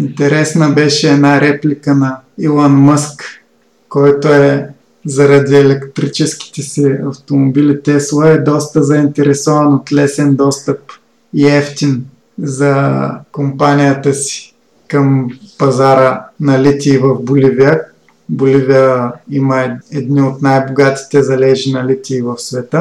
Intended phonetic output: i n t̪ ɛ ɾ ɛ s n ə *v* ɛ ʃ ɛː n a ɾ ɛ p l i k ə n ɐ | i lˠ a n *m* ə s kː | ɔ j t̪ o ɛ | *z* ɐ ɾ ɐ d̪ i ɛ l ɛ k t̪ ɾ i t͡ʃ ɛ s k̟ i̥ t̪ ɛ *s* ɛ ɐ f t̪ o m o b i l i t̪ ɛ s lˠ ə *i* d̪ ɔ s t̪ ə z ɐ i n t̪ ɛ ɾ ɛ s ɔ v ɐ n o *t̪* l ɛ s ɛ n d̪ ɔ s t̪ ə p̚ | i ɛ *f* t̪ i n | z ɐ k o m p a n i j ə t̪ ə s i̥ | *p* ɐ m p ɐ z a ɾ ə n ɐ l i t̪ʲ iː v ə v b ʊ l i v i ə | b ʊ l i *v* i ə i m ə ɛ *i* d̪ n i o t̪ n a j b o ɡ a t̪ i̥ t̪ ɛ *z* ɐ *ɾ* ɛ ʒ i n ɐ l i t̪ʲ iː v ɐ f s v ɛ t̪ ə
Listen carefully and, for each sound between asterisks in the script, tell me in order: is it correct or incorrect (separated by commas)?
incorrect, correct, correct, correct, incorrect, correct, correct, incorrect, correct, incorrect, correct, incorrect